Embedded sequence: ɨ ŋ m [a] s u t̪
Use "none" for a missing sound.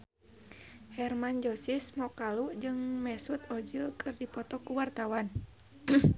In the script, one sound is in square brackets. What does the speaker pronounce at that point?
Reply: ɛ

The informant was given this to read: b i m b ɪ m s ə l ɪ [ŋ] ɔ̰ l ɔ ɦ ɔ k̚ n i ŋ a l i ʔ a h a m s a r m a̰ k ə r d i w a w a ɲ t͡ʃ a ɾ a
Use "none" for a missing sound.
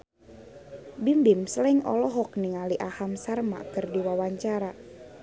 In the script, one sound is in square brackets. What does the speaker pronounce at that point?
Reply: ŋ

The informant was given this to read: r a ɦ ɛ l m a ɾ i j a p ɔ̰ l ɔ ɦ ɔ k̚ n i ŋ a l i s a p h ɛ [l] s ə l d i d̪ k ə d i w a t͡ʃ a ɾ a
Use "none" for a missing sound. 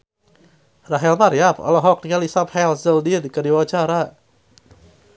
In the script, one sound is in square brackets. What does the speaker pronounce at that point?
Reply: l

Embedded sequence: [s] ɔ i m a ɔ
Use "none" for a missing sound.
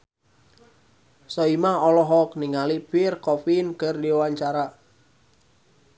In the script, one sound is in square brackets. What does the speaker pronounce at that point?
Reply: s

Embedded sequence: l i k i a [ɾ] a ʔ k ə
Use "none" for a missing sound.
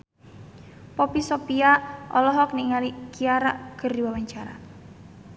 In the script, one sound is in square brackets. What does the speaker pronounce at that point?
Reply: ɾ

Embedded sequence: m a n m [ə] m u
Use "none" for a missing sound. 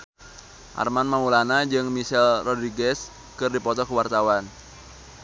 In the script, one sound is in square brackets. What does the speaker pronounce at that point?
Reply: a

